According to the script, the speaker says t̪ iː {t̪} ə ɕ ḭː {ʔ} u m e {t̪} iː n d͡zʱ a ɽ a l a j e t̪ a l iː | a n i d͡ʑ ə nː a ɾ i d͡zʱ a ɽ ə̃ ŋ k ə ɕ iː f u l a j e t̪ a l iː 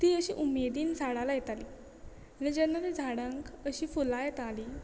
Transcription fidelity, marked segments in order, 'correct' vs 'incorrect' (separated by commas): incorrect, correct, incorrect